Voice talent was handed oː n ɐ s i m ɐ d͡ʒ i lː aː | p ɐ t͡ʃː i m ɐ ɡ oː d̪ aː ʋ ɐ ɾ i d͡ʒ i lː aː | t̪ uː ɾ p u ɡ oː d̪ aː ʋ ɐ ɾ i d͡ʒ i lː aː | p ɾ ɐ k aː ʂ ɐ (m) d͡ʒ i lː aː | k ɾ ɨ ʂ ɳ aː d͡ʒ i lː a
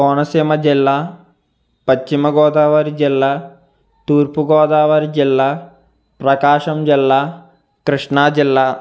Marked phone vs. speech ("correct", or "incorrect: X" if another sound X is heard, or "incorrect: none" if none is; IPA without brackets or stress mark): correct